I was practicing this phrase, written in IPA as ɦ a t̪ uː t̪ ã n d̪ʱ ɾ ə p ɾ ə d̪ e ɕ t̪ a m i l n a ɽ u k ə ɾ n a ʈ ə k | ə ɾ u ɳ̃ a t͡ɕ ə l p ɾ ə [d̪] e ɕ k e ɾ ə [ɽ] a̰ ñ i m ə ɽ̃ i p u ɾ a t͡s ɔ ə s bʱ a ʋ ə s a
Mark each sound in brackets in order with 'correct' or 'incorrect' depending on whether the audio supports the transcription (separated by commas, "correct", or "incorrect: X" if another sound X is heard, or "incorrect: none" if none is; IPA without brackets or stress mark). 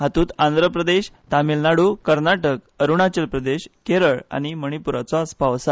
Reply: correct, incorrect: ɭ